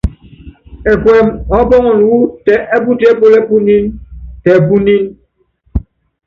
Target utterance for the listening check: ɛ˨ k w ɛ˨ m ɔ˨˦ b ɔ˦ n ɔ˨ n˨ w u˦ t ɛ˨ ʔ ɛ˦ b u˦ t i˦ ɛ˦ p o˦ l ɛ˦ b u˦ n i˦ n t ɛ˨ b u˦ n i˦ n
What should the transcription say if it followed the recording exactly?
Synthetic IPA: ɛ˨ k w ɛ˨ m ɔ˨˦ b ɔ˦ ŋ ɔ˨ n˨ w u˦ t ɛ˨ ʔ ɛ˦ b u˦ t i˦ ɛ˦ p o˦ l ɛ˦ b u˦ n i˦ n t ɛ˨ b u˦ n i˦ n